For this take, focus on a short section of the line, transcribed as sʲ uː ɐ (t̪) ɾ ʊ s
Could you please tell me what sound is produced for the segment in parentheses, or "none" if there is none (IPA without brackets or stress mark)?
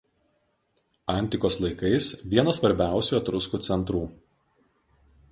t̪